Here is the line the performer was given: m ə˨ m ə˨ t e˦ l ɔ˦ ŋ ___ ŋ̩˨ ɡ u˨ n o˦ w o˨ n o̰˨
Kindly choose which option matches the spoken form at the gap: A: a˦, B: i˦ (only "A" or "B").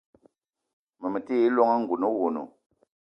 A